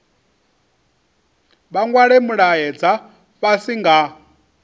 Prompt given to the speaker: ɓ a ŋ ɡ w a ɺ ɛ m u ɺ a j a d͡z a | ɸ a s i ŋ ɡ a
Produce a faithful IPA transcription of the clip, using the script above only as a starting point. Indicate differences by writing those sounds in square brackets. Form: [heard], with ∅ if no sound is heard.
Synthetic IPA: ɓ a ŋ ɡ w a ɺ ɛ m u ɺ a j [ɛ] d͡z a | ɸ a s i ŋ ɡ a